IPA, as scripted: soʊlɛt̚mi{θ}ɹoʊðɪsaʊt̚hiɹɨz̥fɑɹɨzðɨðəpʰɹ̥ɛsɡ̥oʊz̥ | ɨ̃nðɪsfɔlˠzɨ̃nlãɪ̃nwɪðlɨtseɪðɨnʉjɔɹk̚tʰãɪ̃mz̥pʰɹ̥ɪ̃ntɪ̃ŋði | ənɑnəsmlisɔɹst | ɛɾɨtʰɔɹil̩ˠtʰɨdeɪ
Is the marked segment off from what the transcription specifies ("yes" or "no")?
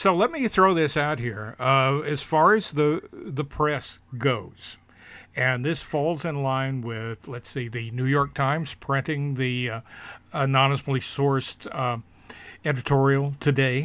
no